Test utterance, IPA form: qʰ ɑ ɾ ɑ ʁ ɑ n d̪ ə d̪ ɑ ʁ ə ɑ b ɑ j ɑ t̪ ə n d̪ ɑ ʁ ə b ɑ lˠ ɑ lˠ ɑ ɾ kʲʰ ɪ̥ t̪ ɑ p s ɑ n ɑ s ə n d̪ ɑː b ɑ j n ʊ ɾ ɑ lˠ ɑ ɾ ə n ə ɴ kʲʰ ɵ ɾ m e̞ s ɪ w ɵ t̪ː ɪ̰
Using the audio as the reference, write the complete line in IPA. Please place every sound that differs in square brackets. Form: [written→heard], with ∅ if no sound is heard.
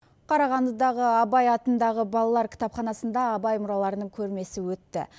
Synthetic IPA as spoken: qʰ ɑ ɾ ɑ ʁ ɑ n d̪ ə d̪ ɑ ʁ ə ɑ b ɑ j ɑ t̪ ə n d̪ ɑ ʁ ə b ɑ lˠ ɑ lˠ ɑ ɾ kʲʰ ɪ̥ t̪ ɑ p [s→χ] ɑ n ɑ s ə n d̪ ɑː b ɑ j [n→m] ʊ ɾ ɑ lˠ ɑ ɾ ə n ə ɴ kʲʰ ɵ ɾ m e̞ s ɪ w ɵ t̪ː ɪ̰

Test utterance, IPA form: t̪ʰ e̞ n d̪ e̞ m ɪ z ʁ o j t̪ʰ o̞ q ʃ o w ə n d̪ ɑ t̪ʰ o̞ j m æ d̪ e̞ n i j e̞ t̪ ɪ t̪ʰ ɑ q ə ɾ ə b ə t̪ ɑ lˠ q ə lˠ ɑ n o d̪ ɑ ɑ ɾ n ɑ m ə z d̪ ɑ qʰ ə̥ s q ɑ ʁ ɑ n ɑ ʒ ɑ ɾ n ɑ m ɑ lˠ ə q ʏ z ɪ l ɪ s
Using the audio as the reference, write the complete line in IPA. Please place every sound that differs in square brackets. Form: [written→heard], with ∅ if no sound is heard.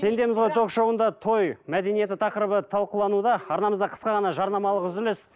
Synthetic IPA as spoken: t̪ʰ e̞ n d̪ e̞ m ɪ z ʁ o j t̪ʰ o̞ q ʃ o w ə n d̪ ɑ t̪ʰ o̞ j m æ d̪ e̞ n i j e̞ t̪ ɪ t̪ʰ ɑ q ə ɾ ə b ə [t̪→t̪ʰ] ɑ lˠ q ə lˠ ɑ n [o→u] d̪ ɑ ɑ ɾ n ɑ m ə z d̪ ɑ qʰ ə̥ s q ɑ ʁ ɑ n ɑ ʒ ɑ ɾ n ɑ m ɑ lˠ ə q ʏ z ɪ l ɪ s

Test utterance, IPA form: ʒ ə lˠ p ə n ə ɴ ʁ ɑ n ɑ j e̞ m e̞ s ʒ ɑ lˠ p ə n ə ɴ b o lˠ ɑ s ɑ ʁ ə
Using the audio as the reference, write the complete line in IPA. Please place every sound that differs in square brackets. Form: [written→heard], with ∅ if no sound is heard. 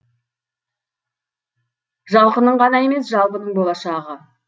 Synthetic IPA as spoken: ʒ [ə→ɑ] lˠ [p→q] ə n ə ɴ ʁ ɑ n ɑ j e̞ m e̞ s ʒ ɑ lˠ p ə n ə ɴ b o lˠ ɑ [s→ʃ] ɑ ʁ ə

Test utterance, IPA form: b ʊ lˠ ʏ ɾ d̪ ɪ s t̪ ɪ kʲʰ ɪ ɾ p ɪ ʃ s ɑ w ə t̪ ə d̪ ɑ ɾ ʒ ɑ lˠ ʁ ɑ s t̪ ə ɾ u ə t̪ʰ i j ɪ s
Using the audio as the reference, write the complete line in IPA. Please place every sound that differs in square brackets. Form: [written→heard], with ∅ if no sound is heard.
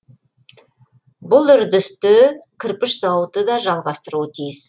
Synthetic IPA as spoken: b ʊ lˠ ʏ ɾ d̪ ɪ s t̪ ɪ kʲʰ ɪ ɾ p ɪ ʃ s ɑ w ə t̪ ə d̪ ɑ [ɾ→∅] ʒ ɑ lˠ ʁ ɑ s t̪ ə ɾ u ə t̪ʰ i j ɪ s

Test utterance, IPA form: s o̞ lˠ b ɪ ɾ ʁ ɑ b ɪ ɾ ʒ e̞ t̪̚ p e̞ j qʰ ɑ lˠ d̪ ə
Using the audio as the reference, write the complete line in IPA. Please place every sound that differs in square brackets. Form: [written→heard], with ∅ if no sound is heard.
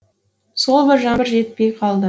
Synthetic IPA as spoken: s o̞ lˠ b ɪ ɾ [ʁ→ʒ] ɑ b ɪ ɾ ʒ e̞ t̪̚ p e̞ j qʰ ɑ lˠ d̪ ə

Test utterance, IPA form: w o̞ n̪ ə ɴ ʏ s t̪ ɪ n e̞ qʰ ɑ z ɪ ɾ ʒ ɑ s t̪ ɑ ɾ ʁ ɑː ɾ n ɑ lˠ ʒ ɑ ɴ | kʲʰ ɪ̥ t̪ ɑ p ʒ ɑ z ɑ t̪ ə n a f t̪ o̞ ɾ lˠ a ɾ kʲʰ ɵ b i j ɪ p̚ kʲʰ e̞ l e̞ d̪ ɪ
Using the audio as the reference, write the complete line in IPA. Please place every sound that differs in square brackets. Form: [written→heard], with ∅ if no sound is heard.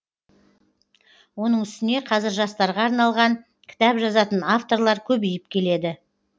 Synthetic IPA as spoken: w o̞ n̪ ə ɴ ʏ s t̪ ɪ n e̞ qʰ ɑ z ɪ ɾ ʒ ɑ s t̪ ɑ ɾ ʁ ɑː ɾ n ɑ lˠ [ʒ→ʁ] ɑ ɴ | kʲʰ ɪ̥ t̪ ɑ p ʒ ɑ z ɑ t̪ ə n a f t̪ o̞ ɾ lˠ [a→ɑ] ɾ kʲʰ ɵ b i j ɪ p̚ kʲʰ e̞ l e̞ d̪ ɪ

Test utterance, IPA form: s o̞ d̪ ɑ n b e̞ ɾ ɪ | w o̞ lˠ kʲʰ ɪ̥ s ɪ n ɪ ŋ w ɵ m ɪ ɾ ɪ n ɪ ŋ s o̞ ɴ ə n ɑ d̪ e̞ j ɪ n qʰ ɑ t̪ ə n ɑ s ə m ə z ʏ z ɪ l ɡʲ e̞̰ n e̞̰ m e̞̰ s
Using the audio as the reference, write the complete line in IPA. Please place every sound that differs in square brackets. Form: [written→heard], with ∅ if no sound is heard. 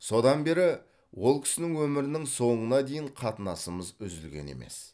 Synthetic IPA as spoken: s o̞ d̪ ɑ n b e̞ ɾ ɪ | w o̞ lˠ kʲʰ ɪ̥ s ɪ n ɪ ŋ w ɵ m ɪ ɾ ɪ n ɪ ŋ s o̞ ɴ ə n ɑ d̪ e̞ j ɪ [n→ɴ] qʰ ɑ t̪ ə n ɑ s ə m ə z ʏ z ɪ l ɡʲ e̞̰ n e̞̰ m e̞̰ s

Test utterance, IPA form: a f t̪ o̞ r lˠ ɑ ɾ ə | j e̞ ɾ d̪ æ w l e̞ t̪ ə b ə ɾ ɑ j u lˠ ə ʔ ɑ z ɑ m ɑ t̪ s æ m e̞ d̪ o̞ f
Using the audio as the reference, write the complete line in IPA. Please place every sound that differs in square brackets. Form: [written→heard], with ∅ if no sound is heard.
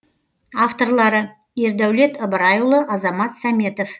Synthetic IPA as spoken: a f t̪ o̞ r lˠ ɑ ɾ ə | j e̞ ɾ d̪ æ w l e̞ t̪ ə b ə ɾ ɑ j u lˠ ə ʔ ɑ z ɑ m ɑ t̪ s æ m e̞ [d̪→t̪] o̞ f

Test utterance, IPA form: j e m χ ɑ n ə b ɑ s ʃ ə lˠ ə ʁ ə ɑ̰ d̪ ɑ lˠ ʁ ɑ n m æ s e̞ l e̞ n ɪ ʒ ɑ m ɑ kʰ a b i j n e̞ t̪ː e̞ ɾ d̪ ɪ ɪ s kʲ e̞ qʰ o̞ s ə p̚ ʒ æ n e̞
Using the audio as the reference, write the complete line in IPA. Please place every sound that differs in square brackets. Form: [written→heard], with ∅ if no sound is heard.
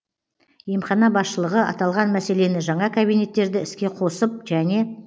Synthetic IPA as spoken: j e m χ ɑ n [ə→ɑ] b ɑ s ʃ ə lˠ ə ʁ ə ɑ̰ [d̪→t̪] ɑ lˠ ʁ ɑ n m æ s e̞ l e̞ n ɪ ʒ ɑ [m→ɴ] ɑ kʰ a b i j n e̞ t̪ː e̞ ɾ d̪ ɪ ɪ s kʲ e̞ qʰ o̞ s ə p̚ ʒ æ n e̞

